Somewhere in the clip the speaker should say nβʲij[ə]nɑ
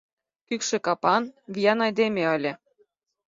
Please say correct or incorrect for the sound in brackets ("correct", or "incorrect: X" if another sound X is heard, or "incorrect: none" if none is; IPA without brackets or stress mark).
incorrect: ɑ